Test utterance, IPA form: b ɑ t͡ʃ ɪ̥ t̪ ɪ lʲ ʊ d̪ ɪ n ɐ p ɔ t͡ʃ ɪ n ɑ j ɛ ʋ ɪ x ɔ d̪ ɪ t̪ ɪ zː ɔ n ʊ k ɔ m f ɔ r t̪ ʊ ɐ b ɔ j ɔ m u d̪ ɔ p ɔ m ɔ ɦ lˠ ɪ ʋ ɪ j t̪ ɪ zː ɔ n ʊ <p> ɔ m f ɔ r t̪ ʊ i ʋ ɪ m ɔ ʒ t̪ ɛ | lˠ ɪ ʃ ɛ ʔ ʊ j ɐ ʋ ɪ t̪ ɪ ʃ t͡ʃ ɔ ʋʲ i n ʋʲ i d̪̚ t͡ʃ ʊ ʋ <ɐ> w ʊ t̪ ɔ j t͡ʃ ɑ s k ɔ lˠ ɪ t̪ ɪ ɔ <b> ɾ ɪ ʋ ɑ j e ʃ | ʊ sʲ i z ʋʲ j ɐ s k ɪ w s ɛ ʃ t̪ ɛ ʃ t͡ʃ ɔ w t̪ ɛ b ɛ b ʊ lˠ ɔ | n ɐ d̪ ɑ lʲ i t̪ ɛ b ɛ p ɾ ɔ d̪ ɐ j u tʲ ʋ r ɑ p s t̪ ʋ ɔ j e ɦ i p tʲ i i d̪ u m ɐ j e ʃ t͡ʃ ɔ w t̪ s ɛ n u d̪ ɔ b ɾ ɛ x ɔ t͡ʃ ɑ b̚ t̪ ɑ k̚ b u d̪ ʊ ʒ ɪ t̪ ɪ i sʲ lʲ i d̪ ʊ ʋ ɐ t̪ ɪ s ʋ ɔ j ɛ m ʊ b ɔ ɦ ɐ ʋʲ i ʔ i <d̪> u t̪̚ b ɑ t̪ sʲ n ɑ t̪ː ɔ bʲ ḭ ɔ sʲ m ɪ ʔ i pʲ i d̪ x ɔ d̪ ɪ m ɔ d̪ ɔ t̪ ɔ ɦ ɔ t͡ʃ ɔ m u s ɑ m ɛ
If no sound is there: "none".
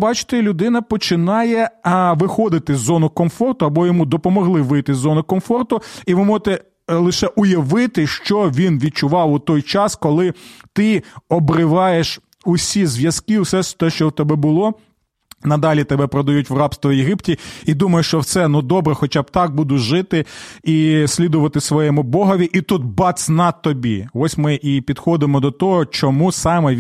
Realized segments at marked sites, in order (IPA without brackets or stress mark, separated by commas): k, ɑ, b, t̪